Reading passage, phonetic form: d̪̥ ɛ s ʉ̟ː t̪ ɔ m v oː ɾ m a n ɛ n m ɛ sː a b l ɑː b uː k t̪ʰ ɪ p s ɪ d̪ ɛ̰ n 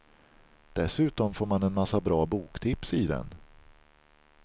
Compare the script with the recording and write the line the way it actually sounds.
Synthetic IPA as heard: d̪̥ ɛ s ʉ̟ː t̪ ɔ m f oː ɾ m a n ɛ n m a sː a b ɾ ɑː b uː k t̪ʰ ɪ p s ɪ d̪ ɛ̰ n

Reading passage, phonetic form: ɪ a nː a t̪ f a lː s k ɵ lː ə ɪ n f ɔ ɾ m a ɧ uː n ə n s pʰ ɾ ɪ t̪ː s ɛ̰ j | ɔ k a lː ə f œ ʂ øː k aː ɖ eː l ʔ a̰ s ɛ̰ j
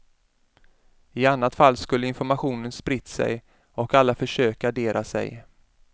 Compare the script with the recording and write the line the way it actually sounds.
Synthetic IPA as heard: ɪ a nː a t̪ f a lː s k ɵ lː ə ɪ n f ɔ ɾ m a ɧ uː n ə n s p ɾ ɪ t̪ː s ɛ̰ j | ɔ k a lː a f œ ʂ øː k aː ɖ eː ɾ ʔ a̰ s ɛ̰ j

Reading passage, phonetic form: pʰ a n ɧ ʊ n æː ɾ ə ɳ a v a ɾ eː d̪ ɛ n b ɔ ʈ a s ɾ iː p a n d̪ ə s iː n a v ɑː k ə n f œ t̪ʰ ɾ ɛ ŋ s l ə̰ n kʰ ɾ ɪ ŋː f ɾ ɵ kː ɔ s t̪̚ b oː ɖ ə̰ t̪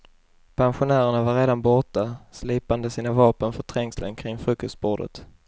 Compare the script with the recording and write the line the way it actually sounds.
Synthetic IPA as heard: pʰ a n ɧ ʊ n æː ɾ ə ɳ a v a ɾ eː d̪ a n b ɔ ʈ a s l iː p a n d̪ ə s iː n a v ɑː p ə n f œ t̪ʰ ɾ ɛ ŋ s l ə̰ n kʰ ɾ ɪ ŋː f ɾ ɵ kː ɔ s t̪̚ b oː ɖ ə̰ t̪

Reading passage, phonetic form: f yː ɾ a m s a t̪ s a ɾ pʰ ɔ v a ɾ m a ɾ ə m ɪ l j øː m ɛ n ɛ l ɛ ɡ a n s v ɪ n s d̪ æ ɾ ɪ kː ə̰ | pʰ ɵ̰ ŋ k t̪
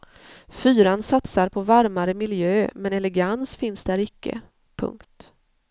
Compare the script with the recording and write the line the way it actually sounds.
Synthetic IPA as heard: f yː ɾ a n s a t̪ s a ɾ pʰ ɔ v a ɾ m a ɾ ə m ɪ l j øː m ɛ n ɛ l ɛ ɡ a n s f ɪ n s d̪ æ ɾ ɪ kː ə̰ | pʰ ɵ̰ ŋ k t̪

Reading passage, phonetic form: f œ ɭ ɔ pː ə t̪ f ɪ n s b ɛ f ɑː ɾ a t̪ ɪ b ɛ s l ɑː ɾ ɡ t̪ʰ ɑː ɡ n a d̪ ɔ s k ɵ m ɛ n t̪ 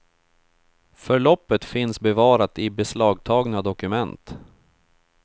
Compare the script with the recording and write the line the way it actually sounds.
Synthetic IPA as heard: f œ ɭ ɔ pː ə t̪ f ɪ n s b ɛ v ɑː ɾ a t̪ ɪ b ɛ s l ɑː ɡ t̪ʰ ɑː ɡ n a d̪ ɔ k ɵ m ɛ n t̪

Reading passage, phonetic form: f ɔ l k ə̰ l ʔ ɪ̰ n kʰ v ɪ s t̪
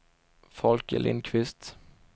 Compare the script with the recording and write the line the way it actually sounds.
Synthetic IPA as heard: f ɔ l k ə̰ l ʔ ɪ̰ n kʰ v ɪ s t̪

